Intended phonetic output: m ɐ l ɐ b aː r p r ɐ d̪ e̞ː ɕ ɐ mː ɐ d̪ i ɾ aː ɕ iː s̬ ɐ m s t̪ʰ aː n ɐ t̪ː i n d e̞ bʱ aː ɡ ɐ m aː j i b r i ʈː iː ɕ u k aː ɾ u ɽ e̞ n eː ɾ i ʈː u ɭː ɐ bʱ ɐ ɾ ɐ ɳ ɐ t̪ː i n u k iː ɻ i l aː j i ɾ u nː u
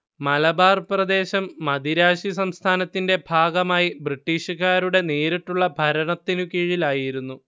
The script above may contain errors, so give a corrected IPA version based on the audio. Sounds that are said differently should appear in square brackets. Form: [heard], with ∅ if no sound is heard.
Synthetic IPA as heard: m ɐ l ɐ b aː r p r ɐ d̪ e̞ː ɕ ɐ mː ɐ d̪ i ɾ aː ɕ [i] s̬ ɐ m s t̪ʰ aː n ɐ t̪ː i n d e̞ bʱ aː ɡ ɐ m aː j i b r i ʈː iː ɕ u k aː ɾ u ɽ e̞ n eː ɾ i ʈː u ɭː ɐ bʱ ɐ ɾ ɐ ɳ ɐ t̪ː i n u k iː ɻ i l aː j i ɾ u nː u